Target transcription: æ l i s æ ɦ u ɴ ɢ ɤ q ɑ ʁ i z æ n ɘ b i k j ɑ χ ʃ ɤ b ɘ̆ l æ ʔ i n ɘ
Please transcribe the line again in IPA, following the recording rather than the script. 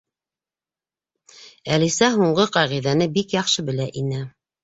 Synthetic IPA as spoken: æ l i s æ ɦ u ɴ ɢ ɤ q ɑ ʁ i ð æ n ɘ b i k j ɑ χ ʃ ɤ b ɘ̆ l æ ʔ i n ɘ